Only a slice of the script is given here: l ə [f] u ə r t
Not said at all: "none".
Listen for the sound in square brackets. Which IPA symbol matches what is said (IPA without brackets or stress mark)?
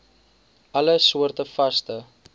s